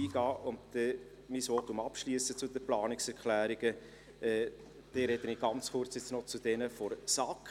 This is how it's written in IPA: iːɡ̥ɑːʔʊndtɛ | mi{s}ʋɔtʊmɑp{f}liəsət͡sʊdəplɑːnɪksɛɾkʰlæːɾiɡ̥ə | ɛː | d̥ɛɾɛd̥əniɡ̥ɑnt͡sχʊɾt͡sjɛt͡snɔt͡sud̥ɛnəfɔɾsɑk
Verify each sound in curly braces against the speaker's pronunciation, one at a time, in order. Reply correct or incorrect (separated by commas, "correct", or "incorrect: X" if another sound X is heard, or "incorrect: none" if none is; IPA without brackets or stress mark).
correct, incorrect: ʃ